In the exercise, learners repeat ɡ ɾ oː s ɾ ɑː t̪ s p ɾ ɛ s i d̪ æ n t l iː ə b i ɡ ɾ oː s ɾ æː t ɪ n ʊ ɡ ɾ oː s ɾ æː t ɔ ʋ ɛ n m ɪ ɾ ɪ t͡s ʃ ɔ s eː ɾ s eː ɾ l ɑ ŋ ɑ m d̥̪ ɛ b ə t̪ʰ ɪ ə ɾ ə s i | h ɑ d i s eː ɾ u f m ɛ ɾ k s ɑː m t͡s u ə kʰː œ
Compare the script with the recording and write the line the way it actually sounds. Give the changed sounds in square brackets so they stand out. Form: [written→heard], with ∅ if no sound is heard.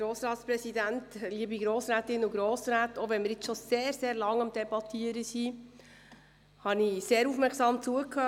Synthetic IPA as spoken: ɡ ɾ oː s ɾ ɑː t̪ s p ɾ ɛ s i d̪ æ n t l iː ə b i ɡ ɾ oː s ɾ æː t ɪ n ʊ ɡ ɾ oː s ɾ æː t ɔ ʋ ɛ n m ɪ ɾ ɪ t͡s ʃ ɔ s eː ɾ s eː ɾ l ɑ ŋ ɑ m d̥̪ ɛ b [ə→ɑ] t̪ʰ [ɪ→i] ə ɾ ə s i | h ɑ [d→n] i s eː ɾ u f m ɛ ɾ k s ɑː m t͡s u ə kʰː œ

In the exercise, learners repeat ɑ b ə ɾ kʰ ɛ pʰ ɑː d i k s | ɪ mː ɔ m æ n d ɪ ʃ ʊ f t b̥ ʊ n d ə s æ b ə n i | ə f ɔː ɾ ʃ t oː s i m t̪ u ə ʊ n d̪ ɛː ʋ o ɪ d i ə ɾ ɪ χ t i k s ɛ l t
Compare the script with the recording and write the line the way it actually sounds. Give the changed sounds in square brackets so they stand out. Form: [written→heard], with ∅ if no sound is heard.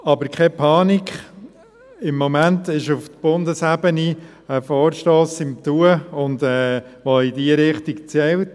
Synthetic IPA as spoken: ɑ b ə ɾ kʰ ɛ pʰ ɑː [d→n] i k [s→χ] | ɪ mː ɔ m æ n [d→t] ɪ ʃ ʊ f t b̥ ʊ n d ə s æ b ə n i | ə f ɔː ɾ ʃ t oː s [i→ɪ] m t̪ u ə ʊ n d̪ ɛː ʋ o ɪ d i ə ɾ ɪ χ t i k [s→t͡s] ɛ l t

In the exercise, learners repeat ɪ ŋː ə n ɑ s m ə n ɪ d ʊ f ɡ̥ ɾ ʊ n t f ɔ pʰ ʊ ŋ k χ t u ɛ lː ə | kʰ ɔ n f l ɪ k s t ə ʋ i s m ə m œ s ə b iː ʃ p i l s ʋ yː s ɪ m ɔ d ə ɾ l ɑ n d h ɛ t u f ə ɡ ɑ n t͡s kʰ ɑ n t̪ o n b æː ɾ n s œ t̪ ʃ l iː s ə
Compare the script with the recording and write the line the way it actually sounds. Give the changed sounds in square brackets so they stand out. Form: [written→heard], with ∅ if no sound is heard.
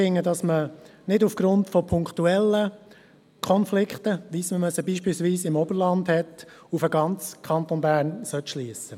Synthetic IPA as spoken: ɪ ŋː ə [n→d] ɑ s m ə n ɪ d [ʊ→u] f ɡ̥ ɾ ʊ n t f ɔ pʰ ʊ ŋ k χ t u ɛ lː ə | kʰ ɔ n f l ɪ k [s→χ] t ə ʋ i s m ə m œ s ə b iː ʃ p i l s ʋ [yː→iː] s ɪ m ɔ [d→b] ə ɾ l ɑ n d h ɛ t u f ə ɡ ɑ n t͡s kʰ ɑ n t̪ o n b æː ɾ n s œ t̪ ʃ l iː s ə

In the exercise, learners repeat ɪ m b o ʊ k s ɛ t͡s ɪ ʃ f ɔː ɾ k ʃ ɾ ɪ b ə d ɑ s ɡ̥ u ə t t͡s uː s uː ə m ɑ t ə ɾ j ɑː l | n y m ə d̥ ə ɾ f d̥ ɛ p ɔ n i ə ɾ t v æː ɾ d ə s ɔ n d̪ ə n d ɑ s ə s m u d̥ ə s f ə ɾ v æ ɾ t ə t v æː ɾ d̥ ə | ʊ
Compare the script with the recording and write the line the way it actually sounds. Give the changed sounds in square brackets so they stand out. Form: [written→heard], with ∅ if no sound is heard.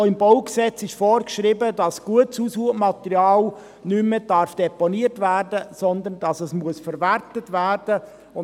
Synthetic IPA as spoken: ɪ m b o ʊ k s ɛ t͡s ɪ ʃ f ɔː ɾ k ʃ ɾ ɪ b ə d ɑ s ɡ̥ u ə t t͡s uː s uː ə m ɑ t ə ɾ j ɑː l | n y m ə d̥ [ə→ɑ] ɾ f d̥ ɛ p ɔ n i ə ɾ t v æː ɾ d ə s ɔ n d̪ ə n d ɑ s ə s m u [d̥→∅] ə s f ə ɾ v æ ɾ t ə t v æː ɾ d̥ ə | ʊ

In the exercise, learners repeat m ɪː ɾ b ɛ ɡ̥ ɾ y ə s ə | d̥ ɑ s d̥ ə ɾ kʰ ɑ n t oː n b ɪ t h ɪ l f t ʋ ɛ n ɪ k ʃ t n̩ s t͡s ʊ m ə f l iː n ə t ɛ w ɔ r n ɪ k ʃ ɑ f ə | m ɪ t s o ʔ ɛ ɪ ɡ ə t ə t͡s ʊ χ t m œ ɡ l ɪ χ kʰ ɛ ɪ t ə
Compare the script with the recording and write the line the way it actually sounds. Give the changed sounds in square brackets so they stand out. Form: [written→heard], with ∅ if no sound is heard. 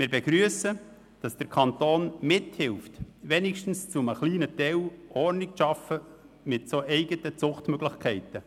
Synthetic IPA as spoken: m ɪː ɾ b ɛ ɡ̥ ɾ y ə s ə | d̥ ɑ s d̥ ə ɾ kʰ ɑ n t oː n [b→m] ɪ t h ɪ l f t ʋ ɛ n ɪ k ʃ t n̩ s t͡s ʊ m ə [f→χ] l iː n ə t ɛ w ɔ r n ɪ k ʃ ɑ f ə | m ɪ t s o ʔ ɛ ɪ ɡ ə t ə t͡s ʊ χ t m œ ɡ l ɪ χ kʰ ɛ ɪ t ə

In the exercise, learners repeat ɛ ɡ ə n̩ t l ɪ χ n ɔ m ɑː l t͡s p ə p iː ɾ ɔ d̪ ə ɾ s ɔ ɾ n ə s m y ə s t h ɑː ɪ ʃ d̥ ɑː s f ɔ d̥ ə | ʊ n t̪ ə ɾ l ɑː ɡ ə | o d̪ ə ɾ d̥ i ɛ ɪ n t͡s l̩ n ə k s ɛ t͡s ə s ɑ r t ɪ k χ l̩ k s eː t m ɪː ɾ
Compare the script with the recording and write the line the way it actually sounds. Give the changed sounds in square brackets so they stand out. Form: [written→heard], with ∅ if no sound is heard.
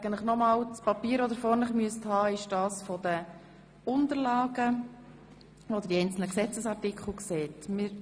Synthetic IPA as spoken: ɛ ɡ ə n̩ t l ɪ χ n ɔ m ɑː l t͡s p [ə→ɑ] p iː ɾ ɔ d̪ ə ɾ [s→f] ɔ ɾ n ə [s→χ] m y ə s t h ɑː ɪ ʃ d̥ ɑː s f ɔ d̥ ə | ʊ n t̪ ə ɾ l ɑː ɡ ə | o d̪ ə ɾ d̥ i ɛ ɪ n t͡s l̩ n ə k s ɛ t͡s ə s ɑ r t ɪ k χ l̩ k s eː t m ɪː ɾ

